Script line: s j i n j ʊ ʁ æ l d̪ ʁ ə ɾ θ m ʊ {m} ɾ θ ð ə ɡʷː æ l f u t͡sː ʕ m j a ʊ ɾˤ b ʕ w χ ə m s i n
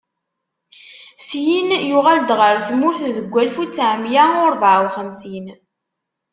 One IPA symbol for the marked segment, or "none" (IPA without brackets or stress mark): none